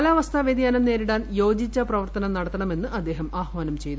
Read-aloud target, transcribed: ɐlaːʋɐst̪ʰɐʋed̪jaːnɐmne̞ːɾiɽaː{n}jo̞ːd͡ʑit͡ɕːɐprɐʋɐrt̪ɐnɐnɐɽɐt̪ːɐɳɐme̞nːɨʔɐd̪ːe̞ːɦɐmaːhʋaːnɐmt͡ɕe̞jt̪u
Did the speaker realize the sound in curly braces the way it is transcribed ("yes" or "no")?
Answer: yes